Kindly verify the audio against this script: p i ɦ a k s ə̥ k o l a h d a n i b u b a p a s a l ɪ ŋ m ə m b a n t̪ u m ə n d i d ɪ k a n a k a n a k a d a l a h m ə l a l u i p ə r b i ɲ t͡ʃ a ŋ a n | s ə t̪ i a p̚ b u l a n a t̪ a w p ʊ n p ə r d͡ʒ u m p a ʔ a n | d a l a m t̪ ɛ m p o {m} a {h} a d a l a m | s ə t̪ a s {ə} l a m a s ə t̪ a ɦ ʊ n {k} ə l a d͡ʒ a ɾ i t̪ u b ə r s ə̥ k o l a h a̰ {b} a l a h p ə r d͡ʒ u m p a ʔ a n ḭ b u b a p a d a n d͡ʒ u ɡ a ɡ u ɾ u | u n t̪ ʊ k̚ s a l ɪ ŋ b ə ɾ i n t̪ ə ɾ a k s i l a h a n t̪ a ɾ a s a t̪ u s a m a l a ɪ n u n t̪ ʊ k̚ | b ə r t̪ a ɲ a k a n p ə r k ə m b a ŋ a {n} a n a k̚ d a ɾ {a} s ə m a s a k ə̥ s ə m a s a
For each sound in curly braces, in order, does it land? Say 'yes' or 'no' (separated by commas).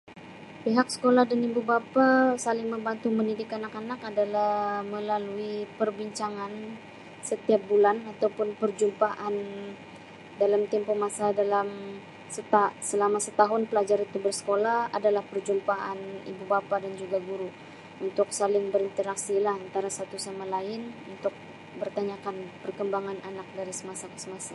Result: yes, no, yes, no, no, yes, no